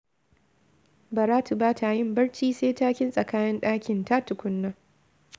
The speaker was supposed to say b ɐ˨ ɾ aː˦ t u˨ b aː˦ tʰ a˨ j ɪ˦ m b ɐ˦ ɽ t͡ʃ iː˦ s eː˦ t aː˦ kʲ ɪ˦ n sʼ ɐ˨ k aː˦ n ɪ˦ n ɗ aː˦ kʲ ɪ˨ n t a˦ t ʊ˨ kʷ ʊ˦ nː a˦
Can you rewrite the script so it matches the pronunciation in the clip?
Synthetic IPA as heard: b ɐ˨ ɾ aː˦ t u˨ b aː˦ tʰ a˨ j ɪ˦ m b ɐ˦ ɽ t͡ʃ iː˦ s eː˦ t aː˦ kʲ ɪ˦ n sʼ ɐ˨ k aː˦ n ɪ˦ n ɗ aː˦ kʲ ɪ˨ n t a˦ t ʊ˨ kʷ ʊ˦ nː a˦